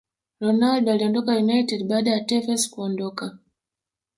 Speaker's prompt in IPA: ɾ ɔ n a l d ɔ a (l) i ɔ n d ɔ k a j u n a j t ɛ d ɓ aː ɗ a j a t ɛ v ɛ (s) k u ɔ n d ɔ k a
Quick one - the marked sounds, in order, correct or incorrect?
correct, correct

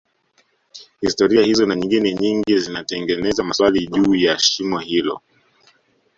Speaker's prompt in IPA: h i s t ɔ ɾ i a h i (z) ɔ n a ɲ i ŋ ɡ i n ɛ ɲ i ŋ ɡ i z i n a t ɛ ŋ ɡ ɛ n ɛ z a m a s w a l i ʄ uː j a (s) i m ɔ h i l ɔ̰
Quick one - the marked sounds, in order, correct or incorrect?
correct, incorrect: ʃ

